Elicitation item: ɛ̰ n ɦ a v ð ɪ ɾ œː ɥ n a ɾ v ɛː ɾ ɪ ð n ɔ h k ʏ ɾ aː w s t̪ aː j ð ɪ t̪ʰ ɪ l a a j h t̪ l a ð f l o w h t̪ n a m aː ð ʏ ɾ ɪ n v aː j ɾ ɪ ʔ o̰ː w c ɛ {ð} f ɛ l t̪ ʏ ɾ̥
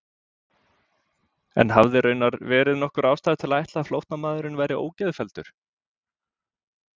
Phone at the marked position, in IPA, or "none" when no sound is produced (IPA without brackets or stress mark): ð